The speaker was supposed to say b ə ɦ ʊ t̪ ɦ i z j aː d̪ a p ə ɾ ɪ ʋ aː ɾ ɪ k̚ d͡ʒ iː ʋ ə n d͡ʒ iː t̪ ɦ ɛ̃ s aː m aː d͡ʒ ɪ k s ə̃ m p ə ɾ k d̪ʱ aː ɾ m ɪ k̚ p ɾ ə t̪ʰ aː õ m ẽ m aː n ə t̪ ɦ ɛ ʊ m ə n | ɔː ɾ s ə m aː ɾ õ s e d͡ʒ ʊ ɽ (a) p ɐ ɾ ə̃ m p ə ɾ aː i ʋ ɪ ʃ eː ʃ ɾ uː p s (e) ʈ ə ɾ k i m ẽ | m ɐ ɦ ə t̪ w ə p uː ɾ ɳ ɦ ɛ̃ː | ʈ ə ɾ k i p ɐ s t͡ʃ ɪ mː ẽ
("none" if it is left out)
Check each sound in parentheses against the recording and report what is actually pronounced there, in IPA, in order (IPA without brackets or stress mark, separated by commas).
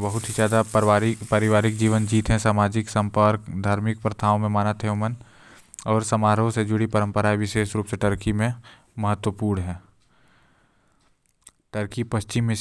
i, e